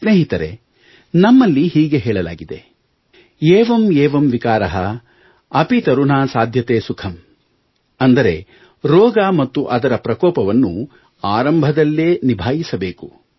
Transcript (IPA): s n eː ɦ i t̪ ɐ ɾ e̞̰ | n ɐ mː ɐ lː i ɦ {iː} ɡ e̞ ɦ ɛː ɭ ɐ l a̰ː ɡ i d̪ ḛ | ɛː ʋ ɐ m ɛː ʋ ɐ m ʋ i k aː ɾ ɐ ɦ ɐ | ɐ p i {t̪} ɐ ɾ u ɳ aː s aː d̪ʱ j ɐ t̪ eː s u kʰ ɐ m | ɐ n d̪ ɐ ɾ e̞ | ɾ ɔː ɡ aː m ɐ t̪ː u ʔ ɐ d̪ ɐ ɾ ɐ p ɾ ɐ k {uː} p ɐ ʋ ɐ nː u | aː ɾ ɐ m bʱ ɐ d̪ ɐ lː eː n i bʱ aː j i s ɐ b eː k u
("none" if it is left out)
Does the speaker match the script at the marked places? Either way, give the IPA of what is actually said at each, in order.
iː, t̪, ɔː

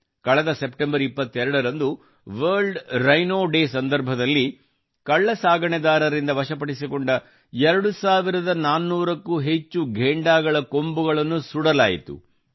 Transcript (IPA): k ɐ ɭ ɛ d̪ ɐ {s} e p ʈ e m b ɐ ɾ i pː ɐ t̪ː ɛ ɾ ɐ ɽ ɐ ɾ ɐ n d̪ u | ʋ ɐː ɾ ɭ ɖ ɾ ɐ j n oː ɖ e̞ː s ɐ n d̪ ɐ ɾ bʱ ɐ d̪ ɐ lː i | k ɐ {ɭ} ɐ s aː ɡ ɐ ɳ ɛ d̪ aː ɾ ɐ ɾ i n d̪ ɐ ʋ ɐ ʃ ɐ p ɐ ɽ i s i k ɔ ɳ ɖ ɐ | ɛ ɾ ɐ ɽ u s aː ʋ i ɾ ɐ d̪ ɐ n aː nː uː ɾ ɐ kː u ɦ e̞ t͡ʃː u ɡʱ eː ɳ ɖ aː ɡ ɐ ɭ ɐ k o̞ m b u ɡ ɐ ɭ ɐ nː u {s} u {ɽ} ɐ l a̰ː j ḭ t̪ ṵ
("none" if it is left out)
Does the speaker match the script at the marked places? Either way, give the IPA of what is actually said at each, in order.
s, ɭː, s, ɽ

